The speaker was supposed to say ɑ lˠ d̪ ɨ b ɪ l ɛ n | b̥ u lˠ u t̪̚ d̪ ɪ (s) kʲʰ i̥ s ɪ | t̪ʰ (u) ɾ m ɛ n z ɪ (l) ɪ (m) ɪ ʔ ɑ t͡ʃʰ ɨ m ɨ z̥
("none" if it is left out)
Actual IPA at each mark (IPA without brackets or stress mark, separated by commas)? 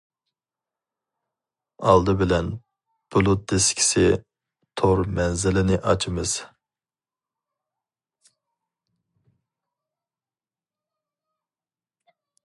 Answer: s, o, l, n